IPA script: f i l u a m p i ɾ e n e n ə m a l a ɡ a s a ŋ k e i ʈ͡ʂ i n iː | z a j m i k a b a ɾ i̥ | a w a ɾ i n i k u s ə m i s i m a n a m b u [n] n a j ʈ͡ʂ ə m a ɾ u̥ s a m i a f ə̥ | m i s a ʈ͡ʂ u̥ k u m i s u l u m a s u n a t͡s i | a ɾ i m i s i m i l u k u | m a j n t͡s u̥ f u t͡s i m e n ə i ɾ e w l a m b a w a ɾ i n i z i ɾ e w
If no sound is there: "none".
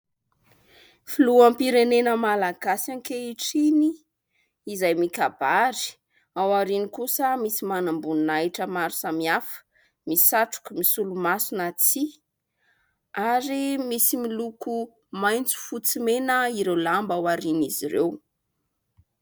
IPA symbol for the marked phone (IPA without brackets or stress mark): n